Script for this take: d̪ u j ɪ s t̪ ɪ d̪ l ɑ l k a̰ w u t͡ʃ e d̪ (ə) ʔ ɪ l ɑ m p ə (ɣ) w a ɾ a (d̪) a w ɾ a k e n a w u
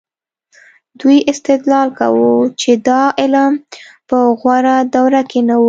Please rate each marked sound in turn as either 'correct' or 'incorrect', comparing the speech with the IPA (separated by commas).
incorrect, correct, correct